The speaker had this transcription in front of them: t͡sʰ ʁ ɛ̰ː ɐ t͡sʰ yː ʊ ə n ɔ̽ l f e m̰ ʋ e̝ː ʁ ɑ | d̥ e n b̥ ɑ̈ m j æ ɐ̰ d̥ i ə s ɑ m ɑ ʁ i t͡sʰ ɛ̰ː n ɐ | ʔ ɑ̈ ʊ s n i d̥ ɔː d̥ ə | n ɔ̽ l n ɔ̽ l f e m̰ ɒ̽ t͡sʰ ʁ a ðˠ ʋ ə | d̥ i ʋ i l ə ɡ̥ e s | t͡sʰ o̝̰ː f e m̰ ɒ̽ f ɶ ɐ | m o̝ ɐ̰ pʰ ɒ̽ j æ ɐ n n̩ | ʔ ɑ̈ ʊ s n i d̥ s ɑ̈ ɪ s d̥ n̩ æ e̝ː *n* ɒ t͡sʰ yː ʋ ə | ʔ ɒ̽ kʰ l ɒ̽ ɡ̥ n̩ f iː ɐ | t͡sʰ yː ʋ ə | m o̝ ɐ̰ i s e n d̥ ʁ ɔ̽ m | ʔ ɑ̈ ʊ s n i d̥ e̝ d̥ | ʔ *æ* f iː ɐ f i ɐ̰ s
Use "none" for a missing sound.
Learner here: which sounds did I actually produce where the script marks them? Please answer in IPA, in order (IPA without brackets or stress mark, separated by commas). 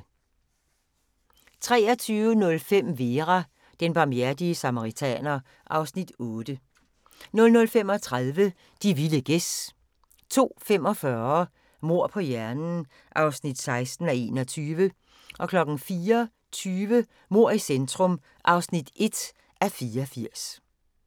n, æ